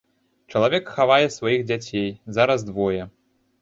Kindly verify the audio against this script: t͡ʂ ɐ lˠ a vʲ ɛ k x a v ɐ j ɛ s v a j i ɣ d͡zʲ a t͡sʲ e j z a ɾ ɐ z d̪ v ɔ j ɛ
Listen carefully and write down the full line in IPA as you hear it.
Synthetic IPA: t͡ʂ ɐ lˠ a vʲ ɛ k x a v a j ɛ s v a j i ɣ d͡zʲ a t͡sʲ e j z a ɾ ɐ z d̪ v ɔ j ɛ